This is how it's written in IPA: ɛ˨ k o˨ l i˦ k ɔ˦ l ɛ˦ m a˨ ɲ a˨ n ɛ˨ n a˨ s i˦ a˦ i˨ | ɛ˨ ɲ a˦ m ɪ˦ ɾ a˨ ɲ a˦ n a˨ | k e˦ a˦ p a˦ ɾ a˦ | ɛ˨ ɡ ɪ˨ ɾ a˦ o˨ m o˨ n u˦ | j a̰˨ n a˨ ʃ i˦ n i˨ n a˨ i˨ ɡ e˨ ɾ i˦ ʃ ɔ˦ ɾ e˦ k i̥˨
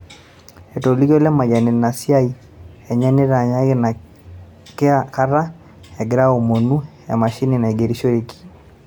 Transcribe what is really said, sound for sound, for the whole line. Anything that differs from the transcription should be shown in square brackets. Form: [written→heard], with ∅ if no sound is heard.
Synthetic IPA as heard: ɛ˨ [k→t] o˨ l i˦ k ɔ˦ l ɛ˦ m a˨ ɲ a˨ n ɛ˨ n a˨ s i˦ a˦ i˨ | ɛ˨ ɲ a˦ [m→n] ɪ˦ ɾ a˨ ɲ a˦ n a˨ | k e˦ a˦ [p→k] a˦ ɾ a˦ | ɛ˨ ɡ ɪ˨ ɾ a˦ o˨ m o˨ n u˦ | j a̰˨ [n→m] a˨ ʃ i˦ n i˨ n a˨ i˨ ɡ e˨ ɾ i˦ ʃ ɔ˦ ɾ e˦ k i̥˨